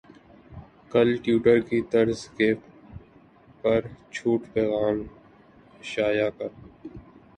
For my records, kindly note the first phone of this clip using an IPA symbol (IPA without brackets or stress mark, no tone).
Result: k